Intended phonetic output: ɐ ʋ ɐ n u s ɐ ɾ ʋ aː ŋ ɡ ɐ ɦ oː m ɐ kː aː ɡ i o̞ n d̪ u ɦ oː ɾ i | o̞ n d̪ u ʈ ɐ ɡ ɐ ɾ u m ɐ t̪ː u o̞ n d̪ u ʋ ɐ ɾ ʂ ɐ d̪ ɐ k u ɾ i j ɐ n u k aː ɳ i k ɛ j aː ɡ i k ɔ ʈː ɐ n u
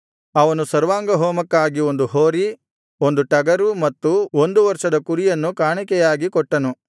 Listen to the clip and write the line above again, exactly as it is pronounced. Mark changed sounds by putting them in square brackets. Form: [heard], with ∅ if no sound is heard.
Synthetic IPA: ɐ ʋ ɐ n u s ɐ ɾ ʋ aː ŋ ɡ ɐ ɦ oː m ɐ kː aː ɡ i o̞ n d̪ u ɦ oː ɾ i | o̞ n d̪ u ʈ ɐ ɡ ɐ ɾ u m ɐ t̪ː u o̞ n d̪ u ʋ ɐ ɾ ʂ ɐ d̪ ɐ k u ɾ i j ɐ [nː] u k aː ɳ i k ɛ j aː ɡ i k ɔ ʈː ɐ n u